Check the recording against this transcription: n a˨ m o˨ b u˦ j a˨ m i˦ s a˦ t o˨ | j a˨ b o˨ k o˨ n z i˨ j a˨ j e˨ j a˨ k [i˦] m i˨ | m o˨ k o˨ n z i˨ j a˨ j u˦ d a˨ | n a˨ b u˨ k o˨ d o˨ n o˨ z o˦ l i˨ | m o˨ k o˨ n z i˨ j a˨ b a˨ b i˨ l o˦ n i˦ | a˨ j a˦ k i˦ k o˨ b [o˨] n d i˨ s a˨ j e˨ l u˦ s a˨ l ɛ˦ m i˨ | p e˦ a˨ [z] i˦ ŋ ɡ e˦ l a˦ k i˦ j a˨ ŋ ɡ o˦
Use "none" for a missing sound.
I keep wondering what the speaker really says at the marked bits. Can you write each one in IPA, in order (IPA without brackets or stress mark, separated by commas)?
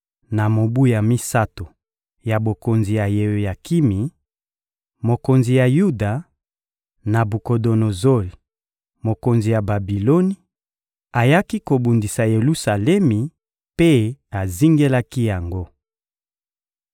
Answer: i˦, u˨, z